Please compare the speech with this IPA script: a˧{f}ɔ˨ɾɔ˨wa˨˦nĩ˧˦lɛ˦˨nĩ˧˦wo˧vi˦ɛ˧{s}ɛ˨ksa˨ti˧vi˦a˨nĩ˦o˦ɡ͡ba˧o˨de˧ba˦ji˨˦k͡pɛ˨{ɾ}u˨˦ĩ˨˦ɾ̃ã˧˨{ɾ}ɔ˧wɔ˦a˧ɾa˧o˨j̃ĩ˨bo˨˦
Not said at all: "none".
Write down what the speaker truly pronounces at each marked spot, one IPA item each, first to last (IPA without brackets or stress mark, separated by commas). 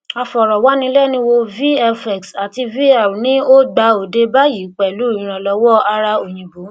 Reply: f, f, l, l